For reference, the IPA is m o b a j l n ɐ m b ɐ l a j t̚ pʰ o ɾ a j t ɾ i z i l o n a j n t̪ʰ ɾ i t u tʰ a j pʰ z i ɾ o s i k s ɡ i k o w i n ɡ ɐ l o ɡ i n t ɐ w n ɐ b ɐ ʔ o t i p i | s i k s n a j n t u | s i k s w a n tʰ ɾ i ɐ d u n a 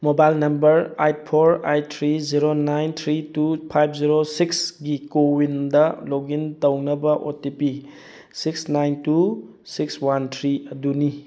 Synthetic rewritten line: m o b a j l n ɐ m b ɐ ɾ a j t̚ pʰ o ɾ a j tʰ ɾ i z i ɾ o n a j n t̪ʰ ɾ i t u pʰ a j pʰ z i ɾ o s i k s ɡ i k o w i n d ɐ l o ɡ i n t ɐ w n ɐ b ɐ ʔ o t i p i | s i k s n a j n t u | s i k s w a n tʰ ɾ i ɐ d u n i